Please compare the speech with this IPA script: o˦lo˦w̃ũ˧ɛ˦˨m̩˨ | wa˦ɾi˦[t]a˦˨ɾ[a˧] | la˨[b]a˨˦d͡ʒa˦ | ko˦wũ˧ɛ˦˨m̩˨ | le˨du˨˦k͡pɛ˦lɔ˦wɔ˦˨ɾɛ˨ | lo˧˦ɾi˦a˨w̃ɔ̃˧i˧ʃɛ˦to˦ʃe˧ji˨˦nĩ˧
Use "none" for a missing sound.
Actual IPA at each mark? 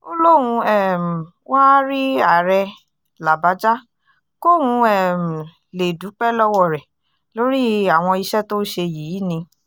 none, ɛ˧, b

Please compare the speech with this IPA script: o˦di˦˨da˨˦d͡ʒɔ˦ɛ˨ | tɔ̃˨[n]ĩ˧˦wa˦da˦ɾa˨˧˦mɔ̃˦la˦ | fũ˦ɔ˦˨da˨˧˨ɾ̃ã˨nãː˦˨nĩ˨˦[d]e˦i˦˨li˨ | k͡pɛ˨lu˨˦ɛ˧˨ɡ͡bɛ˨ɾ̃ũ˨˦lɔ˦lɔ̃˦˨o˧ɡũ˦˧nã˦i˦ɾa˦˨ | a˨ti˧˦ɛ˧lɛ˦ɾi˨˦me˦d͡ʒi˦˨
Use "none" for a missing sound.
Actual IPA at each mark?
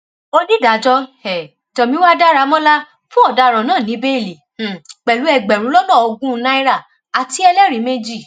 m, b

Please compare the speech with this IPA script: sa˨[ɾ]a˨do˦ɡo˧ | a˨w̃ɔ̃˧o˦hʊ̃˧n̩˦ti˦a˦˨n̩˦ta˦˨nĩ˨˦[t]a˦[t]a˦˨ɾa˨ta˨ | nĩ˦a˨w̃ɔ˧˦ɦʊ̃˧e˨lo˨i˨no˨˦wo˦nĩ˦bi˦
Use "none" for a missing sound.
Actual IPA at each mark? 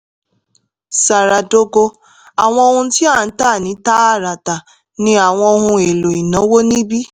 ɾ, t, none

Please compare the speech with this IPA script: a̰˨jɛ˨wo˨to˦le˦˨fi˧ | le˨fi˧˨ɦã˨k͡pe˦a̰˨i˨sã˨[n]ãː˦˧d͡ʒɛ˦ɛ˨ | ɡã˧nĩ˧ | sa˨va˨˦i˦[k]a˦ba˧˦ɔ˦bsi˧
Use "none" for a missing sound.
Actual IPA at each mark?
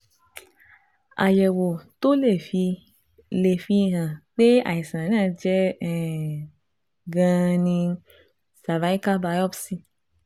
n, k

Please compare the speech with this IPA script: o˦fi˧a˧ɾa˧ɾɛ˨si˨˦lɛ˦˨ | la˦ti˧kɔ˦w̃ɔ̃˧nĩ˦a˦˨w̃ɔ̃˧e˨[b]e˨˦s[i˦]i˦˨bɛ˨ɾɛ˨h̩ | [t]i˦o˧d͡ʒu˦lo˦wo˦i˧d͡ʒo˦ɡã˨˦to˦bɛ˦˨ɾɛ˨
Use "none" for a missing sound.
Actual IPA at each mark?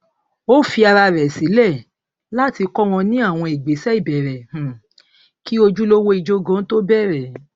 ɡ͡b, ɛ˦, k

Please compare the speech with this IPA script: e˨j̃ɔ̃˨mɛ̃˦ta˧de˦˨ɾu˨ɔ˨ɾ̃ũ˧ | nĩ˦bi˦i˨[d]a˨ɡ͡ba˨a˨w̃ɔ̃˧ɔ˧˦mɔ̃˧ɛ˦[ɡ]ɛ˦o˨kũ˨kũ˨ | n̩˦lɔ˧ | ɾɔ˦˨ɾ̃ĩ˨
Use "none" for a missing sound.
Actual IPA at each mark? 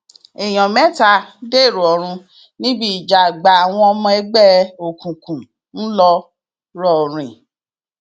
d͡ʒ, ɡ͡b

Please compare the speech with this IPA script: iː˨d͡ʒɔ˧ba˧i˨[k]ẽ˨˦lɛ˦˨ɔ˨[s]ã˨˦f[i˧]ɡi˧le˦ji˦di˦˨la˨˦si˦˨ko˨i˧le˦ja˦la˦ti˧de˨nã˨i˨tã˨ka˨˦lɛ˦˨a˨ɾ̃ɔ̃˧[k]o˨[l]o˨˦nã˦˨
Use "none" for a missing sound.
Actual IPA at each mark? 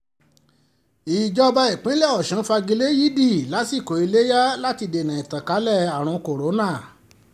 k͡p, ʃ, a˧, k, ɾ

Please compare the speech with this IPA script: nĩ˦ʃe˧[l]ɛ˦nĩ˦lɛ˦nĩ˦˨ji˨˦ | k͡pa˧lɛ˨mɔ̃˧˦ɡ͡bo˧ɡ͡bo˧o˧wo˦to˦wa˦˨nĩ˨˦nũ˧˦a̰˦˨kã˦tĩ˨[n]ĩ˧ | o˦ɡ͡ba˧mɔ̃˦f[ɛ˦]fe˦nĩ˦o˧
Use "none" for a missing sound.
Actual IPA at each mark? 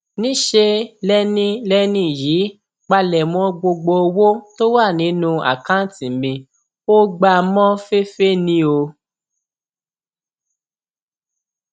l, m, e˦

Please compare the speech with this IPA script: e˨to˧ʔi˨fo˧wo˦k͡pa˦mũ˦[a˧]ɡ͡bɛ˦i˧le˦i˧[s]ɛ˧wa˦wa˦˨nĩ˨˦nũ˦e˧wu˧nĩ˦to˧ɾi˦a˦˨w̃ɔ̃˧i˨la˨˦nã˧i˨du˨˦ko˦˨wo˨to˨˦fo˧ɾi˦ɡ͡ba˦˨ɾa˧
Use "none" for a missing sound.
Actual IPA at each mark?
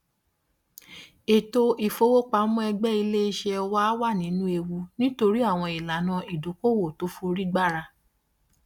ɛ˧, ʃ

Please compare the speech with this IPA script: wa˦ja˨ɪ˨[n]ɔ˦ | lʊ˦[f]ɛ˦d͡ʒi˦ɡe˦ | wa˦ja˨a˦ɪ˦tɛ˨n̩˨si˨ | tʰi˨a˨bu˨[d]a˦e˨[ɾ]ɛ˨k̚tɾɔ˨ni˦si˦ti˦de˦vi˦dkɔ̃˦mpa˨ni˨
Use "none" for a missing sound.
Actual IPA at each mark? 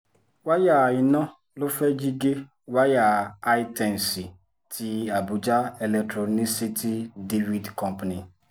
n, f, d͡ʒ, l

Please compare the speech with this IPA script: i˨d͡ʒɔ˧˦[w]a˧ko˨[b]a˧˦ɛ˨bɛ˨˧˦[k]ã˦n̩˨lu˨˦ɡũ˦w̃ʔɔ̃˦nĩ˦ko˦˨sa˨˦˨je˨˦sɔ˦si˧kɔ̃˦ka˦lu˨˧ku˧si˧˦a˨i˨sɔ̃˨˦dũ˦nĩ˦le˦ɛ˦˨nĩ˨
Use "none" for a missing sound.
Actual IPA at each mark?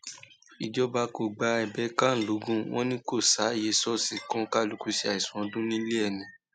b, ɡ͡b, k

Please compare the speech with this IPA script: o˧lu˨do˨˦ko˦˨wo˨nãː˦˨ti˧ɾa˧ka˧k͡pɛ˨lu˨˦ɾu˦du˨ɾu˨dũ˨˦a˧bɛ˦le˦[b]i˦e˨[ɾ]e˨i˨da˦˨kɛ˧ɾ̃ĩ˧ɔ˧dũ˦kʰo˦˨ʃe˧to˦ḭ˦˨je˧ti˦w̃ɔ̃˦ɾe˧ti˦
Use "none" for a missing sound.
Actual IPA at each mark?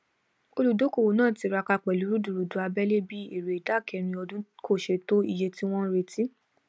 b, ɾ

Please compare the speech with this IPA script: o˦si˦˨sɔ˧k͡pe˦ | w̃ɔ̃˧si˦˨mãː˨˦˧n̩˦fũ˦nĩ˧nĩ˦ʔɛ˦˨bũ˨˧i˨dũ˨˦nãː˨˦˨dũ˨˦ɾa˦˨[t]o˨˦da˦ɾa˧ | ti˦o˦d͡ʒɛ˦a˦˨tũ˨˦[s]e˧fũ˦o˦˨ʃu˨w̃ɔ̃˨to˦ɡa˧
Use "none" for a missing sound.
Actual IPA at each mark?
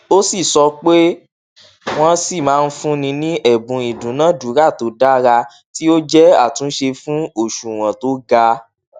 t, ʃ

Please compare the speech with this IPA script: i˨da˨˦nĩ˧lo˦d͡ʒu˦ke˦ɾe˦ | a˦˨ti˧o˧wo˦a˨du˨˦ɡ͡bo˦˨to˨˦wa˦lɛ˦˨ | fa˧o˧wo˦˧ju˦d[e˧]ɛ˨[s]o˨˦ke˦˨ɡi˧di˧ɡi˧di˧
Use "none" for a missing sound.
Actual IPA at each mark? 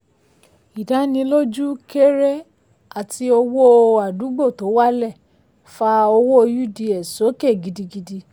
i˧, s

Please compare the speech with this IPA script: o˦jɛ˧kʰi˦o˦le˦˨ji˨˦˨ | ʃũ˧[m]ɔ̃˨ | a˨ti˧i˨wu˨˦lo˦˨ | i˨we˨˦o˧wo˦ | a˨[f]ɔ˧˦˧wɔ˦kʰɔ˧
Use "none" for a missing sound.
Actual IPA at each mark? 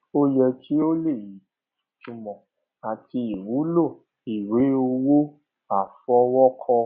m, f

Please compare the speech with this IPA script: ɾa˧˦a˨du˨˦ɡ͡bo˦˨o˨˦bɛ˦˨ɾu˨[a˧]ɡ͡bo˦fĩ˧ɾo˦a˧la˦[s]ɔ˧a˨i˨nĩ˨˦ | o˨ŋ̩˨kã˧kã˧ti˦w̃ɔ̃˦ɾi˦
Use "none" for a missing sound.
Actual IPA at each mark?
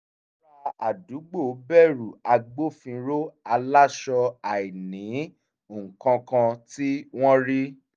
a˧, ʃ

